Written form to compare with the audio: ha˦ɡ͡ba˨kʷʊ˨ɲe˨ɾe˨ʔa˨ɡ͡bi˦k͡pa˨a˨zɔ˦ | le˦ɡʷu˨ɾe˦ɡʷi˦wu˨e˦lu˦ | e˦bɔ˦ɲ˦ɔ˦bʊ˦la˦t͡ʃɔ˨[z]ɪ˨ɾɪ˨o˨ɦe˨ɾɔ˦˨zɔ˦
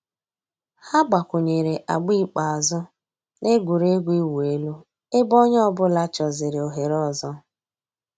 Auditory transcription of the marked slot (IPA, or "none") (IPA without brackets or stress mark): z